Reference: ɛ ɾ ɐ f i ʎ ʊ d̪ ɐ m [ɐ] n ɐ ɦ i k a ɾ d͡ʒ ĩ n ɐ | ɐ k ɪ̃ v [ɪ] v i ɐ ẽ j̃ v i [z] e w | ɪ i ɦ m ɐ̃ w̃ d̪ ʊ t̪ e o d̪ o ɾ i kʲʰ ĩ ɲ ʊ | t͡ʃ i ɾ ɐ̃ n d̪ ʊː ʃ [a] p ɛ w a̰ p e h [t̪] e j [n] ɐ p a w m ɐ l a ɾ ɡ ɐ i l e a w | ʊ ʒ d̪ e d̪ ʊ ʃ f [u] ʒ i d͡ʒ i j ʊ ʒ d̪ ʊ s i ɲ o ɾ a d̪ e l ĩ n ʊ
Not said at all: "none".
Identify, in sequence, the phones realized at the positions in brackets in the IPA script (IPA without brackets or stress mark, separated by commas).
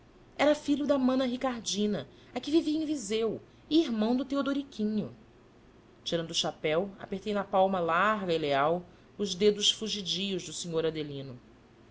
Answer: ɐ̃, i, z, a, t̪, n, u